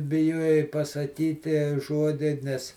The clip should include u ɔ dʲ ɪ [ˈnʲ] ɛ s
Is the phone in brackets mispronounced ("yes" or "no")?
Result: no